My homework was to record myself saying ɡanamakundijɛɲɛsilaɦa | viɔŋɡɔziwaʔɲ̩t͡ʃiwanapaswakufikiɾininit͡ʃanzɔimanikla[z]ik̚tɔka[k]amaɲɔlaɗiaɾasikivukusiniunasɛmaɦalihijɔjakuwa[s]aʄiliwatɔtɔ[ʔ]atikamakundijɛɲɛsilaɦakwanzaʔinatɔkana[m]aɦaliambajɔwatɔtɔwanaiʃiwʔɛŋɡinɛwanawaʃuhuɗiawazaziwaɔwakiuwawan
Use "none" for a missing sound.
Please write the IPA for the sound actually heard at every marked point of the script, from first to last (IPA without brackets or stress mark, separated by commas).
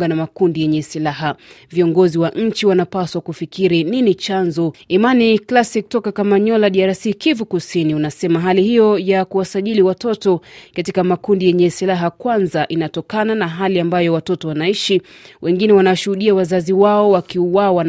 s, k, s, k, n